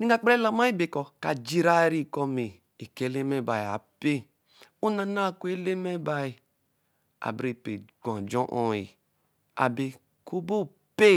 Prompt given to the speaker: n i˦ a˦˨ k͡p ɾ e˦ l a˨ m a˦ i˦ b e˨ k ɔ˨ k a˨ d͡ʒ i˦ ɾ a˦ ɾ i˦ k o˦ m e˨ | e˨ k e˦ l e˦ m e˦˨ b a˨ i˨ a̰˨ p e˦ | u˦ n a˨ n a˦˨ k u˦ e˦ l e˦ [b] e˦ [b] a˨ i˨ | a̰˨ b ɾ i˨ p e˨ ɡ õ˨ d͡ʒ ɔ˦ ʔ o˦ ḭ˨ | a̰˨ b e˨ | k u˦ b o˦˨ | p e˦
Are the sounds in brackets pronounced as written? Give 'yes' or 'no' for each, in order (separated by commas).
no, yes